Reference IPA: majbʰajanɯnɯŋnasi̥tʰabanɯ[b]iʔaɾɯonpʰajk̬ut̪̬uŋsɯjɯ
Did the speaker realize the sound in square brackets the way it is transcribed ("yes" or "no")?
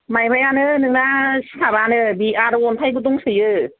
yes